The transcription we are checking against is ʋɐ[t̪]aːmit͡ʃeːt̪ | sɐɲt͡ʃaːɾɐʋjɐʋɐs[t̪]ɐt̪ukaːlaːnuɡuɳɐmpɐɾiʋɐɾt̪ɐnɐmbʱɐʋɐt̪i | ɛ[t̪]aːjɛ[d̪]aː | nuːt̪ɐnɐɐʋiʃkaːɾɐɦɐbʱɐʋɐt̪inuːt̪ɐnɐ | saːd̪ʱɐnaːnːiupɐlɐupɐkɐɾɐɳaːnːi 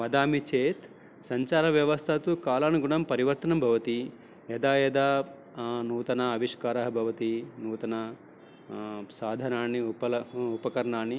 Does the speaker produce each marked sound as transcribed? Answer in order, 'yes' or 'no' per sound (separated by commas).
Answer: no, no, no, yes